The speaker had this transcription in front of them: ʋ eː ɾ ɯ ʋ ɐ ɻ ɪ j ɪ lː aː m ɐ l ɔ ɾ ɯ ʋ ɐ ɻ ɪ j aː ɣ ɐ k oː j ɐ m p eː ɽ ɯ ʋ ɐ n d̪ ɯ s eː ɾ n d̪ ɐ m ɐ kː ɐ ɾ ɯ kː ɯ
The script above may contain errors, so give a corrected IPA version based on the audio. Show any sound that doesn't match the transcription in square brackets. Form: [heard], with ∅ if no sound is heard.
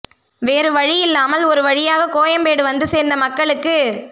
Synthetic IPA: ʋ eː ɾ ɯ ʋ ɐ ɻ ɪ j ɪ lː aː m ɐ l ɔ ɾ ɯ ʋ ɐ ɻ ɪ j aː ɣ ɐ k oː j ɐ m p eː ɽ ɯ ʋ ɐ n d̪ ɯ s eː ɾ n d̪ ɐ m ɐ kː ɐ [ɭ] ɯ kː ɯ

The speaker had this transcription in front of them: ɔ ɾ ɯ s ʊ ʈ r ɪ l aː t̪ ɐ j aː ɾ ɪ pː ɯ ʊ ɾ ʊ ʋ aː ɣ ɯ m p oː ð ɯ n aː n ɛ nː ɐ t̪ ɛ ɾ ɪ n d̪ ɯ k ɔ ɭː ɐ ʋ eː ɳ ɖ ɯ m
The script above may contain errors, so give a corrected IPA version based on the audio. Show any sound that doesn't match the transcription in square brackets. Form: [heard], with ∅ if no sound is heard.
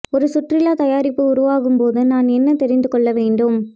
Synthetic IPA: ɔ ɾ ɯ s ʊ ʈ r ɪ l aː t̪ ɐ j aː ɾ ɪ pː ɯ ʊ ɾ ʊ ʋ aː ɣ ɯ m p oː ð ɯ n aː n ɛ nː ɐ t̪ ɛ ɾ ɪ n d̪ ɯ k ɔ ɭː ɐ ʋ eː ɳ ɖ ɯ m

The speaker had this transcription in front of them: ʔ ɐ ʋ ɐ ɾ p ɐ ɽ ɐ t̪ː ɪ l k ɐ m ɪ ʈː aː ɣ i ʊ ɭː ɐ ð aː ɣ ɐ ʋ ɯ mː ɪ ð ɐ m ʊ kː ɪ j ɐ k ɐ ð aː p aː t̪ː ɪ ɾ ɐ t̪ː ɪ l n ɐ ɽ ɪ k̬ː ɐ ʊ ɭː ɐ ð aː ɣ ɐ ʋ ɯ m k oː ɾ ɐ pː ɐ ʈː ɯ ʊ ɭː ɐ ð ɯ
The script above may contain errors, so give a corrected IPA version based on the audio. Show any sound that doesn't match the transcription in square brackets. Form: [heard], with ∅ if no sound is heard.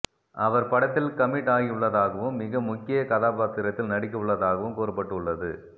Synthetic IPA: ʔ ɐ ʋ ɐ ɾ p ɐ ɽ ɐ t̪ː ɪ l k ɐ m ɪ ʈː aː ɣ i ʊ ɭː ɐ ð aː ɣ ɐ ʋ ɯ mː ɪ [ɣ] ɐ m ʊ kː ɪ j ɐ k ɐ ð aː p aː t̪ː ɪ ɾ ɐ t̪ː ɪ l n ɐ ɽ ɪ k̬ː ɐ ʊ ɭː ɐ ð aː ɣ ɐ ʋ ɯ m k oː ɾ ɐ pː ɐ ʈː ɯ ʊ ɭː ɐ ð ɯ

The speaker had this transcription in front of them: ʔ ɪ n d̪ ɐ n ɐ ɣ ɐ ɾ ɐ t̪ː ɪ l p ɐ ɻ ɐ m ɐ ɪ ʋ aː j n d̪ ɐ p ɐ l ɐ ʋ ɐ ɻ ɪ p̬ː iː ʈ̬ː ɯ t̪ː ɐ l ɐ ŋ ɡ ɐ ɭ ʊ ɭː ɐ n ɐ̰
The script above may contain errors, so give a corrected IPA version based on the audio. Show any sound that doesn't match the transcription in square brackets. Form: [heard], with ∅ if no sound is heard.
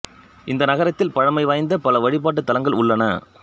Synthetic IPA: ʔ ɪ n d̪ ɐ n ɐ ɣ ɐ ɾ ɐ t̪ː ɪ l p ɐ ɻ ɐ m ɐ ɪ ʋ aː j n d̪ ɐ p ɐ l ɐ ʋ ɐ ɻ ɪ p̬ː [aː] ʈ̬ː ɯ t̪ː ɐ l ɐ ŋ ɡ ɐ ɭ ʊ ɭː ɐ n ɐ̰

